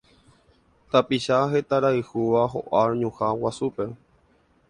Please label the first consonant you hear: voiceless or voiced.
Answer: voiceless